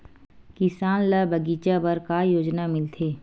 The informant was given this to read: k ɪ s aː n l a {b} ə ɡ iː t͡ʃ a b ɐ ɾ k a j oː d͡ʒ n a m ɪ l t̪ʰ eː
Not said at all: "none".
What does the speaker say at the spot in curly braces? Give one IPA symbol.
b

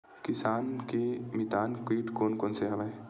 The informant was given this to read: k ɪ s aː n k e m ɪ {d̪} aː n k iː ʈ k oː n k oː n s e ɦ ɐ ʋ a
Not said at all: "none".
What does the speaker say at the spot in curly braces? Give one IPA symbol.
t̪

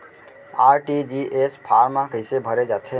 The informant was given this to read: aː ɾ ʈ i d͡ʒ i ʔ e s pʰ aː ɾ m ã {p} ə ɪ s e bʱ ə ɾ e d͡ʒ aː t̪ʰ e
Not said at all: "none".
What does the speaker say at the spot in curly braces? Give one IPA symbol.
k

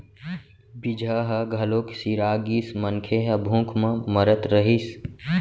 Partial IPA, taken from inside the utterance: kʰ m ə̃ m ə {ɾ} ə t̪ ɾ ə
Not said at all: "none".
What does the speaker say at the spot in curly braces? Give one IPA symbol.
ɾ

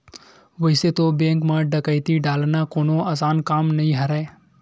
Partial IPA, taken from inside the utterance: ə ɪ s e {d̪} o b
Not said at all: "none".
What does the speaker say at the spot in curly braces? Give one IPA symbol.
t̪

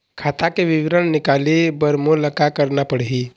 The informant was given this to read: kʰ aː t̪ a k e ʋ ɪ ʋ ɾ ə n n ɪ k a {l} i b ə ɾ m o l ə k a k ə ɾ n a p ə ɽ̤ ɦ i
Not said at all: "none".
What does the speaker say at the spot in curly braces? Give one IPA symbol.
l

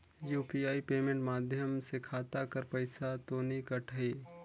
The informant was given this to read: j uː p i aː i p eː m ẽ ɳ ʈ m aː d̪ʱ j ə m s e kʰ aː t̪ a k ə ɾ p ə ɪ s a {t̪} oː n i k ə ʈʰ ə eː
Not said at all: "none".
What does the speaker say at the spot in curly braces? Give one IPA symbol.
t̪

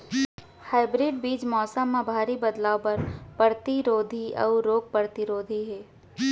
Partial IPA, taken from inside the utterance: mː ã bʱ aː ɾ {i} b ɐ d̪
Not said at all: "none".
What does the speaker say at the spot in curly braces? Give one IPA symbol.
i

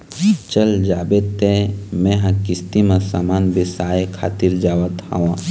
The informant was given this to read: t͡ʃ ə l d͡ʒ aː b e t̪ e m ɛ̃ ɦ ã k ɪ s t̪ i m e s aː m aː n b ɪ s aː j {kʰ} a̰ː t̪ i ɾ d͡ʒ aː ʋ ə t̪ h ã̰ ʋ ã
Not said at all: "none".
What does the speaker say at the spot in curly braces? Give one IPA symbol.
kʰ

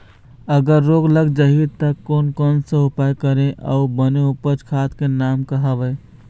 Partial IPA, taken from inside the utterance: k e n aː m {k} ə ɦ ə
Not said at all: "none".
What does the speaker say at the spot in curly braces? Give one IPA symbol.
k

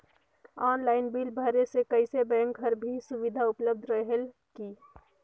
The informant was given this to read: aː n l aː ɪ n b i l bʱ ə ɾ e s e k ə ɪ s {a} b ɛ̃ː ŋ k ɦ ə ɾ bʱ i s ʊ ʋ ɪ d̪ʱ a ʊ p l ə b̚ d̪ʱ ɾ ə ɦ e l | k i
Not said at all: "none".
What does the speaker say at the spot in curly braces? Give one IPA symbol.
e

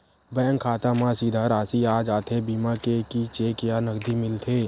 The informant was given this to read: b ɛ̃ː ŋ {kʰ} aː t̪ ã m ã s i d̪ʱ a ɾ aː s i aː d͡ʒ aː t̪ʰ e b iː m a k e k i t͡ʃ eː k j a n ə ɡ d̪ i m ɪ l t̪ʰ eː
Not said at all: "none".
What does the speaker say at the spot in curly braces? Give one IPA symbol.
kʰ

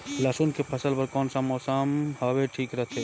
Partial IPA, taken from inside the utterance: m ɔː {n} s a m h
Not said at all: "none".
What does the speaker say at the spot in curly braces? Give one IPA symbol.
none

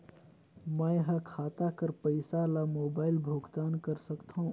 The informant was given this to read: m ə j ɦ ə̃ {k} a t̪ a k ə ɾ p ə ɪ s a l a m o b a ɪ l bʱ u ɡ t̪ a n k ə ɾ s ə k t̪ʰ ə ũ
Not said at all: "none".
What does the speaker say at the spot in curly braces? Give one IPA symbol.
kʰ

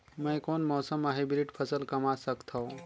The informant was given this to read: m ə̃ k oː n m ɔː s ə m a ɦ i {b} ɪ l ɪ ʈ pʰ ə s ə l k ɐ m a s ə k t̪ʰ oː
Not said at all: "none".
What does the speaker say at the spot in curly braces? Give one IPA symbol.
b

